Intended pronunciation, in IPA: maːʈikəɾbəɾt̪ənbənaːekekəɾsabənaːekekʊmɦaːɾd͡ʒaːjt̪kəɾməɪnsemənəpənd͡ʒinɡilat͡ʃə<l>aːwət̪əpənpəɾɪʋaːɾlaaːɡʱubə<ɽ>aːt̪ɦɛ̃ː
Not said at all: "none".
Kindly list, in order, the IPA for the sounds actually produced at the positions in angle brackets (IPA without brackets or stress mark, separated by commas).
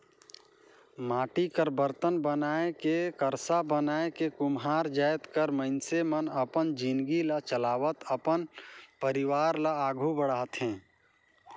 l, ɽ